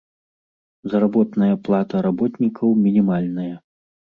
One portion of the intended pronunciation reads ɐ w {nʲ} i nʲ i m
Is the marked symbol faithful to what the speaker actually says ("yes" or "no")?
no